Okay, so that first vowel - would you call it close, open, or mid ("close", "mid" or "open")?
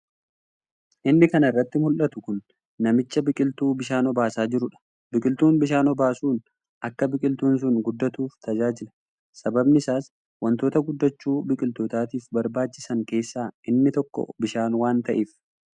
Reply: close